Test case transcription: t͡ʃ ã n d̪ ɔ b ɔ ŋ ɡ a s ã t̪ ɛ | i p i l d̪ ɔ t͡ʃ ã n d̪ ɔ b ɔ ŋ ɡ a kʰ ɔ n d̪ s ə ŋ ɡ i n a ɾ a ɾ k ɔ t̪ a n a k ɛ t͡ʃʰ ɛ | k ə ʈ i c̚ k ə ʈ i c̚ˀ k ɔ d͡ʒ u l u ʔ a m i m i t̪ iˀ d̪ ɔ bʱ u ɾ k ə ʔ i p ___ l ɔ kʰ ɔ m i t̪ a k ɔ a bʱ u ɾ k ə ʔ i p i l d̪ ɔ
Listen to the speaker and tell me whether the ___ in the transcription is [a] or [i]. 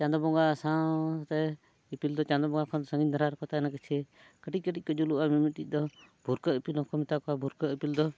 i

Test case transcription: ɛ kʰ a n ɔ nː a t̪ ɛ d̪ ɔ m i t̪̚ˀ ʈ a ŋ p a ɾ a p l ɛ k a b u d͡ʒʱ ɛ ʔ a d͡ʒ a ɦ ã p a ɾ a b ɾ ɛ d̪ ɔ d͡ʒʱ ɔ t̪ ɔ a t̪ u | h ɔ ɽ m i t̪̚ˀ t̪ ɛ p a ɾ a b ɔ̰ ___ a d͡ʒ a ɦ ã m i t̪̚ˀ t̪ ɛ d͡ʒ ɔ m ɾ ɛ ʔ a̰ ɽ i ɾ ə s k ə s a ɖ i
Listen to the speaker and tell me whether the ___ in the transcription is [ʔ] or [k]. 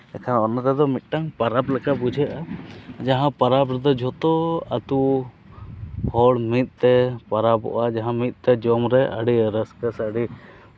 ʔ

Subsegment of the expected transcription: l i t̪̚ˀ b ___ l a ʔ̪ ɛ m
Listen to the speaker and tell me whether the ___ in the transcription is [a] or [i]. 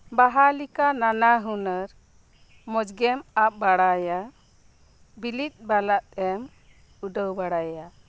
a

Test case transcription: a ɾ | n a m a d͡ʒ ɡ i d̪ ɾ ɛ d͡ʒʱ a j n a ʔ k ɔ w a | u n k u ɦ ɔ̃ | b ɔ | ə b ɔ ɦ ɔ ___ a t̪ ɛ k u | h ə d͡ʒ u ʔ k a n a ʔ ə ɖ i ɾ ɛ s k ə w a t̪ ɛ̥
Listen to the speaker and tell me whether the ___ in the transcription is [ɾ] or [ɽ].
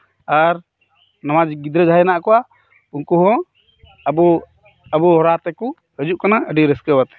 ɾ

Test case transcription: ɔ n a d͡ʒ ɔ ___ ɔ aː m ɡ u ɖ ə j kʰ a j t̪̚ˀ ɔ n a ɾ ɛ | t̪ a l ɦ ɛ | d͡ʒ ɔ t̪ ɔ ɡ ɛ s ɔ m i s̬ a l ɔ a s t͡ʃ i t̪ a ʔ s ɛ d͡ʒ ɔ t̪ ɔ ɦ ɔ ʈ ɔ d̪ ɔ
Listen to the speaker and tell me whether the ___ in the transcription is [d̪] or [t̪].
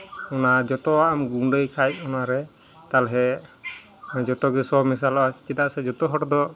t̪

